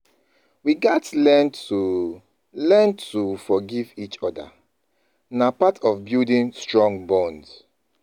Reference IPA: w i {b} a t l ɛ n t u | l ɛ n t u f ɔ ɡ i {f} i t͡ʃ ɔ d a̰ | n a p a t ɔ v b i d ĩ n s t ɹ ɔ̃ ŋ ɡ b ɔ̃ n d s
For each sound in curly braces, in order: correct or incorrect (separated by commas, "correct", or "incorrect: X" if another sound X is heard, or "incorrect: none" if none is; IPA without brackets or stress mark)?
incorrect: ɡ, incorrect: v